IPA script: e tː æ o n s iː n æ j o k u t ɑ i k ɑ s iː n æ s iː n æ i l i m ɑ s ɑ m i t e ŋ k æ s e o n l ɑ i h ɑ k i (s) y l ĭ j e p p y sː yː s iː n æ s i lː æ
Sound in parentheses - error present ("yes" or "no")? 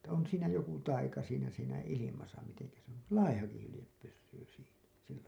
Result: yes